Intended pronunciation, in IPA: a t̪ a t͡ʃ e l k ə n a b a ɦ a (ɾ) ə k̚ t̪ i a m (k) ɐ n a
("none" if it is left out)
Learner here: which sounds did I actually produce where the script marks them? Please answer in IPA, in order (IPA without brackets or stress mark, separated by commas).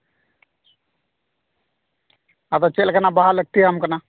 l, k